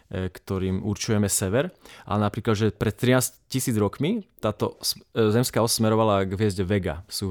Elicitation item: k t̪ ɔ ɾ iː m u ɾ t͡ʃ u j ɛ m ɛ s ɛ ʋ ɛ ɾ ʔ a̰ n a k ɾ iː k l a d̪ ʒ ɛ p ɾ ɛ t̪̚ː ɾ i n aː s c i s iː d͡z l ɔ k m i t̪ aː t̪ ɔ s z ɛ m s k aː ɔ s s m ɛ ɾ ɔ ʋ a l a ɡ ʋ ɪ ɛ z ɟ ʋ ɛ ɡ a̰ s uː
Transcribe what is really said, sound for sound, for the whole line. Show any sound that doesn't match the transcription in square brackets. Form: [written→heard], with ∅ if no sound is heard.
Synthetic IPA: k t̪ ɔ ɾ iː m u ɾ t͡ʃ u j ɛ m ɛ s ɛ ʋ ɛ ɾ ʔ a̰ n a [k→p] ɾ iː k l a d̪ ʒ ɛ p ɾ ɛ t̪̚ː ɾ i n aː s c i s iː d͡z [l→ɾ] ɔ k m i t̪ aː t̪ ɔ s z ɛ m s k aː ɔ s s m ɛ ɾ ɔ ʋ a l a ɡ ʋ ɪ ɛ z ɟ ʋ ɛ ɡ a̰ s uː